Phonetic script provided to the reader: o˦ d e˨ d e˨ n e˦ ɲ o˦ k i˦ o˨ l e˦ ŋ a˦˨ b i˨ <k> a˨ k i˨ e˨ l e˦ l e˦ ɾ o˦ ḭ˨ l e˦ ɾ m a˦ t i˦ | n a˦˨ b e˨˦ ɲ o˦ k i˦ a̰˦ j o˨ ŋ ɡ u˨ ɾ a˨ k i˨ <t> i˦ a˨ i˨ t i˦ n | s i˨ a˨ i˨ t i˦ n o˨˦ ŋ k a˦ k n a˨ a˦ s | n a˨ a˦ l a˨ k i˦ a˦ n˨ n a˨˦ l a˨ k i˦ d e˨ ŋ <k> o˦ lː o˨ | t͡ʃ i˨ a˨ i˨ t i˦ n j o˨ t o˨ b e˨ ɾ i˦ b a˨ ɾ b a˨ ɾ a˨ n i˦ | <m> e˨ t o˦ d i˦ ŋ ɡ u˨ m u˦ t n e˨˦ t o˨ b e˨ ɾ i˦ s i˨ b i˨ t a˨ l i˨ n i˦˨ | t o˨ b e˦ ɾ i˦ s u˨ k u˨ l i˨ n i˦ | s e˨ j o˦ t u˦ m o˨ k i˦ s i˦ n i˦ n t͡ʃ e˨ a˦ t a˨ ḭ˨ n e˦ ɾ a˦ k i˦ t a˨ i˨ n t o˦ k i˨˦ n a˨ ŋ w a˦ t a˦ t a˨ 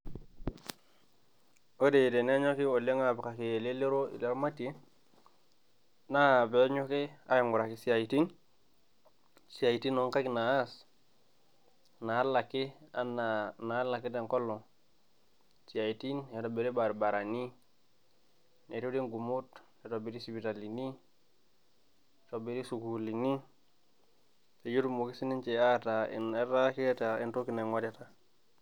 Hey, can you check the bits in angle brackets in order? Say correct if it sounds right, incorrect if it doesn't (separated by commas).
correct, incorrect, correct, incorrect